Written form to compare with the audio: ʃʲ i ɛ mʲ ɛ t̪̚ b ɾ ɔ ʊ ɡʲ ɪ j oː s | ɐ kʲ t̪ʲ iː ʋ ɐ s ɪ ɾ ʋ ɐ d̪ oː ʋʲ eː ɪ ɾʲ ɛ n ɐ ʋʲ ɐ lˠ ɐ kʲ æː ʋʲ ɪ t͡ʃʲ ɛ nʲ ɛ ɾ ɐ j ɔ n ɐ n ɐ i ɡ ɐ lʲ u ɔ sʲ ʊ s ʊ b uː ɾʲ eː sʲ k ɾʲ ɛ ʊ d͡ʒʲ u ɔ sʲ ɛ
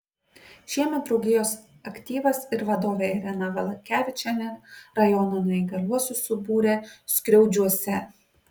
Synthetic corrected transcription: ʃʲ i ɛ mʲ ɛ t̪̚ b ɾ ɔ ʊ ɡʲ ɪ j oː s | ɐ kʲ t̪ʲ iː ʋ ɐ s ɪ ɾ ʋ ɐ d̪ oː ʋʲ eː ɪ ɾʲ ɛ n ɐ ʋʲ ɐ lˠ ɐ kʲ æː ʋʲ ɪ t͡ʃʲ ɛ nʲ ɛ ɾ ɐ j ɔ n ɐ n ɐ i ɡ ɐ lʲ u ɔ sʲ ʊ s ʊ b uː ɾʲ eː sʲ k ɾʲ ɛ ʊ d͡ʒʲ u ɔ sʲ ɛ